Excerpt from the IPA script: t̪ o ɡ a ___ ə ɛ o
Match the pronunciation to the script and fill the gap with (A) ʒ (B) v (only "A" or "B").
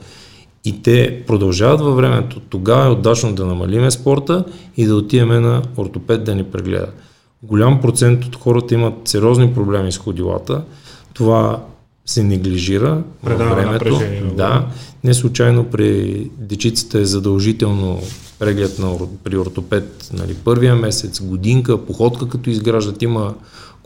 B